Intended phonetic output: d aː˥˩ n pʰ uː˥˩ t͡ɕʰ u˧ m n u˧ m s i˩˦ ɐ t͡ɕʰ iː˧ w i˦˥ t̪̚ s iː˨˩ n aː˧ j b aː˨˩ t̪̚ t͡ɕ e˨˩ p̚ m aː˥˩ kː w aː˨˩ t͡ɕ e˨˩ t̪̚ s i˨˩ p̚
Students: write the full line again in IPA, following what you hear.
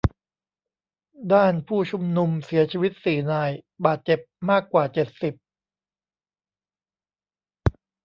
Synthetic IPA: d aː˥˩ n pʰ uː˥˩ t͡ɕʰ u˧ m n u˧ m s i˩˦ ɐ t͡ɕʰ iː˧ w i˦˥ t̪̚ s iː˨˩ n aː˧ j b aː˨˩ t̪̚ t͡ɕ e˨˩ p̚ m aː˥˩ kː w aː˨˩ t͡ɕ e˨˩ t̪̚ s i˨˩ p̚